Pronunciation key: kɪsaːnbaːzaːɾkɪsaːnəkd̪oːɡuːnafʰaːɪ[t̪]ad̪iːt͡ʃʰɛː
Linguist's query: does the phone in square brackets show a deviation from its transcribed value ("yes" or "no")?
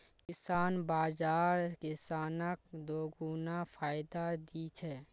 yes